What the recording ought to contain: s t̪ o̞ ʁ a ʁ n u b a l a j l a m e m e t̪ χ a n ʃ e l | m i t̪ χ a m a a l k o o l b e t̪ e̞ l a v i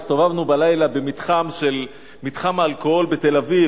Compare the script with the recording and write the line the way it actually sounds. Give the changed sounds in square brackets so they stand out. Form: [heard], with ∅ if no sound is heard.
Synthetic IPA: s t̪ o̞ [v] a [v] n u b a l a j l a [b] e m [i] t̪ χ a [m] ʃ e l | m i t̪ χ a m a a l k o o l b e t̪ e̞ l a v i